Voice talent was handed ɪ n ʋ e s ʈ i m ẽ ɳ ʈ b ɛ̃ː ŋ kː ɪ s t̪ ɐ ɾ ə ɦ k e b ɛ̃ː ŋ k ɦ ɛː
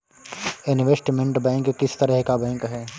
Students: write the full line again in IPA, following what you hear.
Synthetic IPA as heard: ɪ n ʋ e s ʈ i m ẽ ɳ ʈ b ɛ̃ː ŋ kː ɪ s t̪ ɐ ɾ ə ɦ k a b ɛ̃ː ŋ k ɦ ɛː